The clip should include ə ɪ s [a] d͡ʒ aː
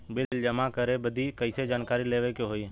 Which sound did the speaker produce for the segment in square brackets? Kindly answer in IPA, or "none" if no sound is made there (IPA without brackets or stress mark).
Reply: e